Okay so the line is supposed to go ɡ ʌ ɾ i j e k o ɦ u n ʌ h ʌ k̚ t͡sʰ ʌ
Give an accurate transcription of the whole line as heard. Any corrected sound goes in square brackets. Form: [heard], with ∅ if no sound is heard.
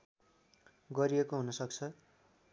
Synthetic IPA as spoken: ɡ ʌ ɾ i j e k o ɦ u n ʌ [s] ʌ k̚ t͡sʰ ʌ